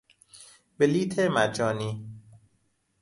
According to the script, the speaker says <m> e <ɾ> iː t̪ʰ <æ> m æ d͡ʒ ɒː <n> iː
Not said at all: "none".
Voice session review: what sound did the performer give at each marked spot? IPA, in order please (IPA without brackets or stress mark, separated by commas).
b, l, e, n